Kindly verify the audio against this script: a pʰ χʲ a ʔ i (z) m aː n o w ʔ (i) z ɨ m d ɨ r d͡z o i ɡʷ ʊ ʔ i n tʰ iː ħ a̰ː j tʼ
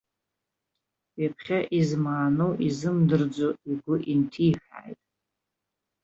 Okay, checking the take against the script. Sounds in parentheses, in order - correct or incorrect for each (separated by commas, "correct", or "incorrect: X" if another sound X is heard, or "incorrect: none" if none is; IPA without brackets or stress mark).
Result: correct, correct